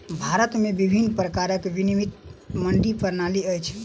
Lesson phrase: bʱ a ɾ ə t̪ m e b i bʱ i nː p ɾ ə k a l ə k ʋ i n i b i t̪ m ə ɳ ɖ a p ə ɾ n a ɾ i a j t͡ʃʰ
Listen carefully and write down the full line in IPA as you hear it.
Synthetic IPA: bʱ a ɾ ə t̪ m e b i bʱ i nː p ɾ ə k a ɾ ə k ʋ i n i m i t̪ m ə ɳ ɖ i p ə ɾ n a l i ə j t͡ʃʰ